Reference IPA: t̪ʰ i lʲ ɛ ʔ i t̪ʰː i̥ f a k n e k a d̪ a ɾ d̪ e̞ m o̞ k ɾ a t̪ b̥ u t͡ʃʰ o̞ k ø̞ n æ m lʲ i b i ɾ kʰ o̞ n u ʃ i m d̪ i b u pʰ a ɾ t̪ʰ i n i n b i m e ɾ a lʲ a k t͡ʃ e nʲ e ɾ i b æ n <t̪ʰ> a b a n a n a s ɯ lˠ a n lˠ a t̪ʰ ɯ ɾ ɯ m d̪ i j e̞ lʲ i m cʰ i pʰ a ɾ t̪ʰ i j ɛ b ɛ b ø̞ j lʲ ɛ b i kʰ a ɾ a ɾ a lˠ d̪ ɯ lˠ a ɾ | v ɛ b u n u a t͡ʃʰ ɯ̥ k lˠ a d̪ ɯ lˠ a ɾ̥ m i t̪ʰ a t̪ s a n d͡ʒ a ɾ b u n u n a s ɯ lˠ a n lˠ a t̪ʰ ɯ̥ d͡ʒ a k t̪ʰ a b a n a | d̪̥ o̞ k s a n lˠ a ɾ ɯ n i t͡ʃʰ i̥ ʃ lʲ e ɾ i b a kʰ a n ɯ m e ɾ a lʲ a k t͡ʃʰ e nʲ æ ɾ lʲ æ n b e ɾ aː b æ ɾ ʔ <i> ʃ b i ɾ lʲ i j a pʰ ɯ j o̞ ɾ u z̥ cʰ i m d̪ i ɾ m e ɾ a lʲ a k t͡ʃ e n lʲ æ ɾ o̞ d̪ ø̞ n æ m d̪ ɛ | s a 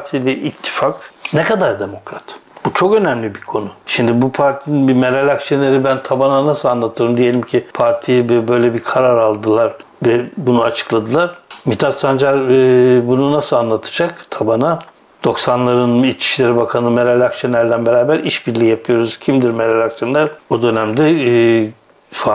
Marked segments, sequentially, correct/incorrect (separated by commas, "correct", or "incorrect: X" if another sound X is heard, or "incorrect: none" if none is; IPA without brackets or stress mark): correct, correct